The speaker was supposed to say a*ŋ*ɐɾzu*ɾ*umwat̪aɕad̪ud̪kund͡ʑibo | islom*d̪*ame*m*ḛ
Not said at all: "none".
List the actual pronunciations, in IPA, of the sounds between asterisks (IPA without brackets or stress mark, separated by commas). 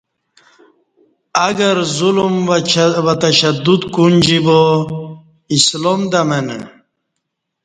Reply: ɡ, l, d̪, n